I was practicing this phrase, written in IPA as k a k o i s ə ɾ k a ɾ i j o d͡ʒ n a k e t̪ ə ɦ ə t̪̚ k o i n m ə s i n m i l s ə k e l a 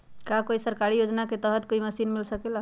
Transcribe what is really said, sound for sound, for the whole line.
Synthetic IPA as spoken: k a k o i s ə ɾ k a ɾ i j o d͡ʒ n a k e t̪ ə ɦ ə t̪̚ k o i m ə s i n m i l s ə k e l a